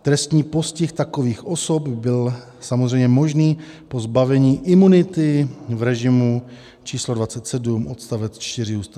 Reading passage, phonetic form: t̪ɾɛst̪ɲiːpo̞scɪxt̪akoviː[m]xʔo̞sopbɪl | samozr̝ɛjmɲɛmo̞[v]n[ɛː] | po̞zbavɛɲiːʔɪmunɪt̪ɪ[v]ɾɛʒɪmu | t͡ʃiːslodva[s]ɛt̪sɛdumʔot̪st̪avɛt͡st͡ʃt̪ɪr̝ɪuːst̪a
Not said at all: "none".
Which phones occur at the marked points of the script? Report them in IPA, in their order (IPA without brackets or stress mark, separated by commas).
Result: none, ʒ, iː, v, t͡s